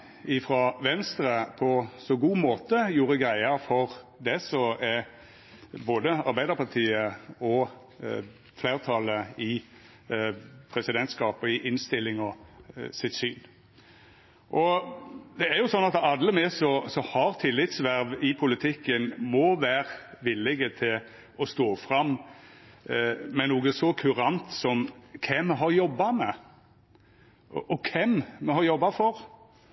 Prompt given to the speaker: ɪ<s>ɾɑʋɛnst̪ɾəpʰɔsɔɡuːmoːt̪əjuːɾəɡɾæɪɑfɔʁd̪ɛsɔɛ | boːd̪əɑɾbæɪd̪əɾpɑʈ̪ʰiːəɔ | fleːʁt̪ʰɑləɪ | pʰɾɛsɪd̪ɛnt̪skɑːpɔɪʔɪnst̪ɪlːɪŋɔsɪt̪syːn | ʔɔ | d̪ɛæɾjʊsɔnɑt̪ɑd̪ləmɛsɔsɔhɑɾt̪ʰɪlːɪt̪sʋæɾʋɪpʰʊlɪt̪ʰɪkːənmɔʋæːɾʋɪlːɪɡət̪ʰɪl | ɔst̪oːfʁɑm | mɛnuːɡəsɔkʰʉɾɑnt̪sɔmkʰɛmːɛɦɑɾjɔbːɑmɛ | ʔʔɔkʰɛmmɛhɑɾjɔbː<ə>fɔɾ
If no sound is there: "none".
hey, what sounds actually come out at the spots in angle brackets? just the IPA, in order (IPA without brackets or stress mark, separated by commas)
f, ɑ